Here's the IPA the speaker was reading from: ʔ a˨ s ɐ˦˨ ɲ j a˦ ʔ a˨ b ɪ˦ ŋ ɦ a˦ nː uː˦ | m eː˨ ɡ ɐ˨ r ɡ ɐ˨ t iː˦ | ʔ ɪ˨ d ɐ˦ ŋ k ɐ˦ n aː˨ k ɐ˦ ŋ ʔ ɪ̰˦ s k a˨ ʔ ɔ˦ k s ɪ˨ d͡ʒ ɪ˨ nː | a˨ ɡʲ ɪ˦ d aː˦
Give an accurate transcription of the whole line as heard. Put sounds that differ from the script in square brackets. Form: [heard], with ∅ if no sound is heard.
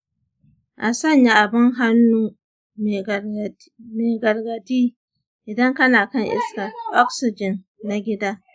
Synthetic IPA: ʔ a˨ s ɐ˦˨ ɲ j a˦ ʔ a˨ b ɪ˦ ŋ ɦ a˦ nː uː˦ | m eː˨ ɡ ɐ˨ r ɡ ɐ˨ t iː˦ | ʔ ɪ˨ d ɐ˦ ŋ k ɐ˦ n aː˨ k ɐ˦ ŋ ʔ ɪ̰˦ s k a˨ ʔ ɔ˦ k s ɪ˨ d͡ʒ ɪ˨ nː | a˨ ɡʲ ɪ˦ d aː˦